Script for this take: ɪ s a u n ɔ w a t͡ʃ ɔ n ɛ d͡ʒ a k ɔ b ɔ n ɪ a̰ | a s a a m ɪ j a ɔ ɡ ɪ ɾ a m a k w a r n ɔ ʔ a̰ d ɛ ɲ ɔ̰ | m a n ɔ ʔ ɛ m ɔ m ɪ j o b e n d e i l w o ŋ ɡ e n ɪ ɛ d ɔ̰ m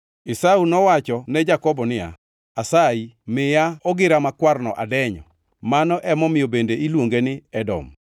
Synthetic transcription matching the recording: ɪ s a u n ɔ w a t͡ʃ ɔ n ɛ d͡ʒ a k ɔ b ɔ n ɪ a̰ | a s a i m ɪ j a ɔ ɡ ɪ ɾ a m a k w a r n ɔ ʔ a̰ d ɛ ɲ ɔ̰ | m a n ɔ ʔ ɛ m ɔ m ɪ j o b e n d e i l w o ŋ ɡ e n ɪ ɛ d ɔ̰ m